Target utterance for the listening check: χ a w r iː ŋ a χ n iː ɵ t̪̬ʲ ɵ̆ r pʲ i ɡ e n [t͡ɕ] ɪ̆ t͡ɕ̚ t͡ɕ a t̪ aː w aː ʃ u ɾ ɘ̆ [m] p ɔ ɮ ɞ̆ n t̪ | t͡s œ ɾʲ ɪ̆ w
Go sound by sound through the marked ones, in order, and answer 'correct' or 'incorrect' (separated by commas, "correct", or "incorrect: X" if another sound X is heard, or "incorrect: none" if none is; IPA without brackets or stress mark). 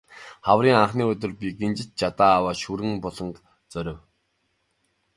correct, incorrect: ŋ